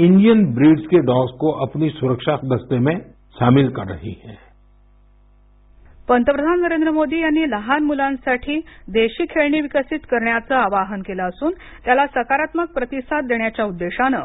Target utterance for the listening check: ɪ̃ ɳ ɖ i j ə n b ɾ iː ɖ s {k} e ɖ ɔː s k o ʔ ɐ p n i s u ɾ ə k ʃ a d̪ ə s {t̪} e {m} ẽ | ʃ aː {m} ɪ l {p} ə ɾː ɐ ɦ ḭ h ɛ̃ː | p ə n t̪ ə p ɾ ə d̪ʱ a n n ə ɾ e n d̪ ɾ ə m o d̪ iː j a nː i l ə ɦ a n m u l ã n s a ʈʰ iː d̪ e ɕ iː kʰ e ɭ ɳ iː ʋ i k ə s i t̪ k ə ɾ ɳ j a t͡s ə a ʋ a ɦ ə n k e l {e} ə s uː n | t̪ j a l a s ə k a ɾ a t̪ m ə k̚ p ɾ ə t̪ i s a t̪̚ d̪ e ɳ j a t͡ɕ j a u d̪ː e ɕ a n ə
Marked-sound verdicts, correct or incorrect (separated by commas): correct, correct, correct, correct, incorrect, incorrect